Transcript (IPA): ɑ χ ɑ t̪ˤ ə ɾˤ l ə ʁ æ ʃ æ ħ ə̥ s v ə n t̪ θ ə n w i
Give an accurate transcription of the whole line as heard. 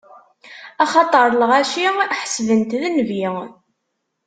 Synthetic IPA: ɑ χ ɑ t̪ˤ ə ɾˤ l ə ʁ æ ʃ i ħ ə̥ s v ə n t̪ ð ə n v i